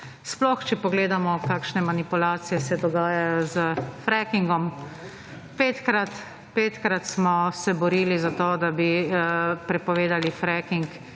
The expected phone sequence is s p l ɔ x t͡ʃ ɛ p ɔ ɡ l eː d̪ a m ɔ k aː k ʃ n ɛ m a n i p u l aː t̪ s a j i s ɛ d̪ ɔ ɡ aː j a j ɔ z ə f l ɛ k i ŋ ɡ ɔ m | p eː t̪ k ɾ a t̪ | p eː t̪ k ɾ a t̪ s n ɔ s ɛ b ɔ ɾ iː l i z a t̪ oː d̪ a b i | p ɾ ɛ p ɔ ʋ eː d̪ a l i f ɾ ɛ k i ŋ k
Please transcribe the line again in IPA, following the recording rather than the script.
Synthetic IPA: s p l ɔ x t͡ʃ ɛ p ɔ ɡ l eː d̪ a m ɔ k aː k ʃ n ɛ m a n i p u l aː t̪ s i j ɛ s ɛ d̪ ɔ ɡ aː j a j ɔ z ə f ɾ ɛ k i ŋ ɡ ɔ m | p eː t̪ k ɾ a t̪ | p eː t̪ k ɾ a t̪ s m ɔ s ɛ b ɔ ɾ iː l i z a t̪ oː d̪ a b i | p ɾ ɛ p ɔ ʋ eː d̪ a l i f ɾ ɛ k i ŋ k